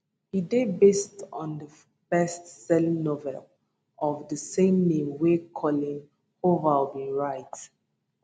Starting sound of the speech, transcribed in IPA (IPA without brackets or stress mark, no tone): h